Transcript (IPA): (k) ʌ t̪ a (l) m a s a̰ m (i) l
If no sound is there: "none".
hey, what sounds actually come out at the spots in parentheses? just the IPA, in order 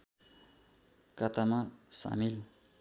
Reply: k, none, i

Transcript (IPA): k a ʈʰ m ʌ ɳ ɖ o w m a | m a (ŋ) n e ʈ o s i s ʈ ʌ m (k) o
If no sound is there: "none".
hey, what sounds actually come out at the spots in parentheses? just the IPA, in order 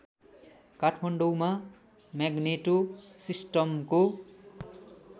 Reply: ɡ, k

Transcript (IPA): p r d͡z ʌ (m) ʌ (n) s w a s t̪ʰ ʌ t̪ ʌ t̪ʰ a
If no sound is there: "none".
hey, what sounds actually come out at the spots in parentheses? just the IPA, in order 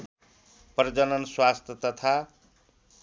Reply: n, n

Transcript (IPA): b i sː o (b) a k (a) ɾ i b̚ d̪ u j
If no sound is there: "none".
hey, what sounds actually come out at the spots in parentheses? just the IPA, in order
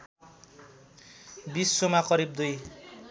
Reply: m, ʌ

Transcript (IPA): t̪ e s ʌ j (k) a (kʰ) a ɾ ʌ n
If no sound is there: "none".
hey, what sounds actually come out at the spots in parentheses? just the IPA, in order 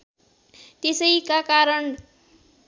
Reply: k, k

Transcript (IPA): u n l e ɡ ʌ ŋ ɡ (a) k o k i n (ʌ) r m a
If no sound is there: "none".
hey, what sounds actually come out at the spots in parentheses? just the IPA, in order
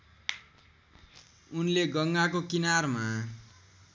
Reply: a, a

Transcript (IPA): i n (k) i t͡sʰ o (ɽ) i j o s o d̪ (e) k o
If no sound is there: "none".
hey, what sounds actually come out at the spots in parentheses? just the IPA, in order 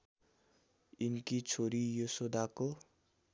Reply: k, ɾ, a

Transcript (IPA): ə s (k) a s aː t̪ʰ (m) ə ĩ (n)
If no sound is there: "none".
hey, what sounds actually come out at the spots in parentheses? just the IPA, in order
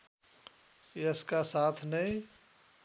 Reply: k, n, none

